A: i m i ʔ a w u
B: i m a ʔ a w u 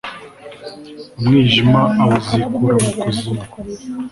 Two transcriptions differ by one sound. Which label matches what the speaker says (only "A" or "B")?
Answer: B